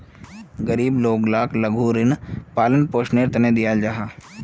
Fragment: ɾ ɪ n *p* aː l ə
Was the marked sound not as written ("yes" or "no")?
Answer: no